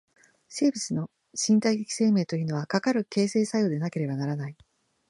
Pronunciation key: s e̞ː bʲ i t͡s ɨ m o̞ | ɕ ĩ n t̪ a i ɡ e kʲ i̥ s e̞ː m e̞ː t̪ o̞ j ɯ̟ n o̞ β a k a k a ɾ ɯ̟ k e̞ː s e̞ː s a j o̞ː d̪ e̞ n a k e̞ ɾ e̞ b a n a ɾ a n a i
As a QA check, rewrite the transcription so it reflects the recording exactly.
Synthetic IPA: s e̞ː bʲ i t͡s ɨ n o̞ | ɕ ĩ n t̪ a i ɡ e kʲ i̥ s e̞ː m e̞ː t̪ o̞ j ɯ̟ n o̞ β a k a k a ɾ ɯ̟ k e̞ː s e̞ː s a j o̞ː d̪ e̞ n a k e̞ ɾ e̞ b a n a ɾ a n a i